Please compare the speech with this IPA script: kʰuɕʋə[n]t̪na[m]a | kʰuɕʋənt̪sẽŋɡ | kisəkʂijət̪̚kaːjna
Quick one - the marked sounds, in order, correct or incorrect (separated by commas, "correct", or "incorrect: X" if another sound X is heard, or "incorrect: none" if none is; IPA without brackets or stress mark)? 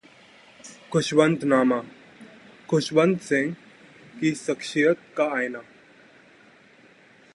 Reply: correct, correct